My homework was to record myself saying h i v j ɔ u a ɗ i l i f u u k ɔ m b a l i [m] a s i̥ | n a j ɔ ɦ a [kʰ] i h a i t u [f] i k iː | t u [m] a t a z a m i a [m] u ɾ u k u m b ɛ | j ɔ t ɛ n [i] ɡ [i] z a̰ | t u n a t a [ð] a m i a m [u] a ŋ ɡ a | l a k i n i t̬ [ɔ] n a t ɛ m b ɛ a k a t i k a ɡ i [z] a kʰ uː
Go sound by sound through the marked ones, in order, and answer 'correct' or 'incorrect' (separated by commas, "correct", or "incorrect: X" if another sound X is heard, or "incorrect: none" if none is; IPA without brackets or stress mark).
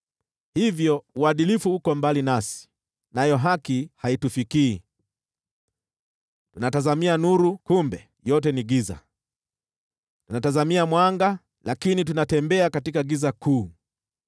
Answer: incorrect: n, incorrect: k, correct, incorrect: n, incorrect: n, correct, correct, incorrect: z, incorrect: w, incorrect: u, correct